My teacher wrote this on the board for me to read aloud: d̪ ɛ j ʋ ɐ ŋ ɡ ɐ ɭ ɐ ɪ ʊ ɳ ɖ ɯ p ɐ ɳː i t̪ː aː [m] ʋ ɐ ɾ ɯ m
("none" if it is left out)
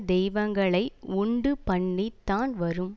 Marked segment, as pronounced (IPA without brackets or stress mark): n